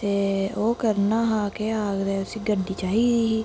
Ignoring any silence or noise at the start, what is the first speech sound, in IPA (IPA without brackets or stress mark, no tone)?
t̪